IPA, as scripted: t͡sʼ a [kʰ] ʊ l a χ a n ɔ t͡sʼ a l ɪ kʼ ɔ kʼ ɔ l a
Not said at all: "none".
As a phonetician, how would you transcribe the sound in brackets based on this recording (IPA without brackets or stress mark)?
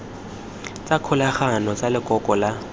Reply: kʰ